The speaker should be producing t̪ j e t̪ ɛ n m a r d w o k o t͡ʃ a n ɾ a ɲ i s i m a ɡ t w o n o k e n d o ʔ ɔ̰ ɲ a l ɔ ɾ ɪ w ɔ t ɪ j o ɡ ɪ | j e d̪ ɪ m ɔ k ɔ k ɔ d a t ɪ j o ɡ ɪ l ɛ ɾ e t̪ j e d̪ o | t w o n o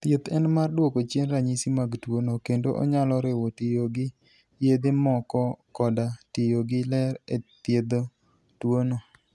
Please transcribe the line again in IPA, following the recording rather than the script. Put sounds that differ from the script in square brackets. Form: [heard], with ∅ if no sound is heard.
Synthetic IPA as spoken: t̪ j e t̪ ɛ n m a r d w o k o t͡ʃ [e] n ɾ a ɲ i s i m a ɡ t w o n o k e n d o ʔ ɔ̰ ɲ a l ɔ ɾ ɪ w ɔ t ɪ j o ɡ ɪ | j e d̪ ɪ m ɔ k ɔ k ɔ d a t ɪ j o ɡ ɪ l ɛ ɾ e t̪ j e d̪ o | t w o n o